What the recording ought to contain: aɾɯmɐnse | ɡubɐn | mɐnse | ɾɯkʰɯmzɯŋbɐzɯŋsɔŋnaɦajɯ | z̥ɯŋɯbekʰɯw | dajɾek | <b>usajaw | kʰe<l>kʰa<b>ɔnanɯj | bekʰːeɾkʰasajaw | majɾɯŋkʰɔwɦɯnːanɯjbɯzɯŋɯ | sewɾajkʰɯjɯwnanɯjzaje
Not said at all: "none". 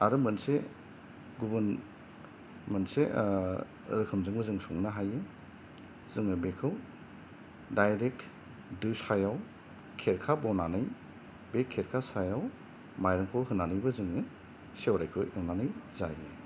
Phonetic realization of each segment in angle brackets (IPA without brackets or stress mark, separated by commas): d, ɾ, b